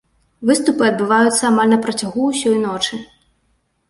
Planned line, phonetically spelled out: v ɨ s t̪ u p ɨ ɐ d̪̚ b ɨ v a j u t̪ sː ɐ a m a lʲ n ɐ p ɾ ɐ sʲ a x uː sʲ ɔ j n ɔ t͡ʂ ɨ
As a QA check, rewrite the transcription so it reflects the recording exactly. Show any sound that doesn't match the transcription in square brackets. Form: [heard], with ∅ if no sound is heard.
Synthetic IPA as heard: v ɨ s t̪ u p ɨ ɐ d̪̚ b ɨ v a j u t̪ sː ɐ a m a lʲ n ɐ p ɾ ɐ [t͡sʲ] a [ɣ] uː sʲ ɔ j n ɔ t͡ʂ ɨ